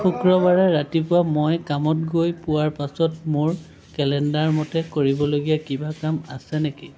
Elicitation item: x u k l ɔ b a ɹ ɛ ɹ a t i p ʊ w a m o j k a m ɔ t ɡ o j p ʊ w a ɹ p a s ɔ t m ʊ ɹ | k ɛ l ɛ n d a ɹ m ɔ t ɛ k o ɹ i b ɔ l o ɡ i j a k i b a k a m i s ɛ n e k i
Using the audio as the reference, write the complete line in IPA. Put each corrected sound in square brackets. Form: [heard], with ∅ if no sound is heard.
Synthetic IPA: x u k [ɹ] ɔ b a ɹ ɛ ɹ a t i p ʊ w a m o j k a m ɔ t ɡ o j p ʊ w a ɹ p a s ɔ t m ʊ ɹ | k ɛ l ɛ n d a ɹ m ɔ t ɛ k o ɹ i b ɔ l o ɡ i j a k i b a k a m [a] s ɛ n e k i